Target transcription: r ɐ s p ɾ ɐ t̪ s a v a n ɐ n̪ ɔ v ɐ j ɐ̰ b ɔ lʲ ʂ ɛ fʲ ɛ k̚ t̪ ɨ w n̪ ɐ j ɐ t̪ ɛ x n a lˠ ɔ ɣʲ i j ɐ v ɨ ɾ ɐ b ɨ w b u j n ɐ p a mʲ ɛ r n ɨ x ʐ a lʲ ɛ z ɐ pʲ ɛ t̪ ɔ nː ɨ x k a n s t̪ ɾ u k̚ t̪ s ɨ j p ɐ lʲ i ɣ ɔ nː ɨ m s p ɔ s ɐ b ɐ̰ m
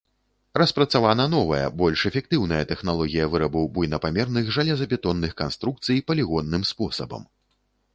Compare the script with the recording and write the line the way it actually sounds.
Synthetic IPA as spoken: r ɐ s p ɾ ɐ t̪ s a v a n ɐ n̪ ɔ v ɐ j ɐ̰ b ɔ lʲ ʂ ɛ fʲ ɛ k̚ t̪ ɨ w n̪ ɐ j ɐ t̪ ɛ x n a lˠ ɔ ɣʲ i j ɐ v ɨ ɾ ɐ b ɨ w b u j n ɐ p a mʲ ɛ r n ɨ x ʐ a lʲ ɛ z ɐ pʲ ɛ t̪ ɔ nː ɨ x k a n s t̪ ɾ u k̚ t̪ s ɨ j p ɐ lʲ i ɣ ɔ nː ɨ m s p ɔ s ɐ b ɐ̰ m